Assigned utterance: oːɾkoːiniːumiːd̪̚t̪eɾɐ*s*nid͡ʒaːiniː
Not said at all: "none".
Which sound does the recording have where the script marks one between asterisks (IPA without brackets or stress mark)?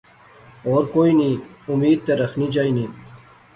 x